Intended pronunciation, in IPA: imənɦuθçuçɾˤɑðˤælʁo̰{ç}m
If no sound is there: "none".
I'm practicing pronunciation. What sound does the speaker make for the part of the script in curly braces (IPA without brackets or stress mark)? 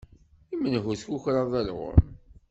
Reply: none